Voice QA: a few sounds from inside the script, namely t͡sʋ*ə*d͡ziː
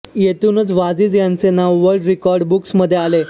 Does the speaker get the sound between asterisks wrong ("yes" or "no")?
yes